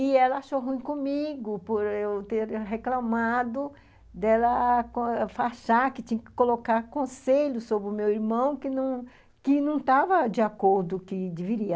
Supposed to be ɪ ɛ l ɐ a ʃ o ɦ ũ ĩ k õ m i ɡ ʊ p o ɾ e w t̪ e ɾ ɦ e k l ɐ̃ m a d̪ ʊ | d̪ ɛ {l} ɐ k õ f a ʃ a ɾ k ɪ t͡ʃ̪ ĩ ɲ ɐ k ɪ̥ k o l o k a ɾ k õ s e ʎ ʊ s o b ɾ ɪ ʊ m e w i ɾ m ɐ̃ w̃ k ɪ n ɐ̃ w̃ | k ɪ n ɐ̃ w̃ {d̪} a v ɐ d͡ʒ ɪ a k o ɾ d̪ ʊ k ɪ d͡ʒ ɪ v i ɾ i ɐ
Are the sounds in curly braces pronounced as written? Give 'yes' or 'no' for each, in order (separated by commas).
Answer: yes, no